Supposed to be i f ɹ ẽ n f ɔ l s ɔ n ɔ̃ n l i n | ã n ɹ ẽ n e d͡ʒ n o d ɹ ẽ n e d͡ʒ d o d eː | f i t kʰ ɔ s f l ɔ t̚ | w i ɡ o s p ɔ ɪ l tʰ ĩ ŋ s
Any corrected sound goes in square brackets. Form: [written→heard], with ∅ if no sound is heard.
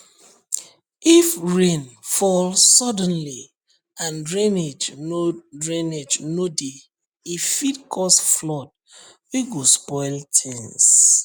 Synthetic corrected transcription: i f ɹ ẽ n f ɔ l s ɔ [n→d] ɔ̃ n l i [n→∅] | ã n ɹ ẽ n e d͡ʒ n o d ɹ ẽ n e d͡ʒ [d→n] o d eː | f i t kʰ ɔ s f l ɔ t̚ | w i ɡ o s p ɔ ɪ l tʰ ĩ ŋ s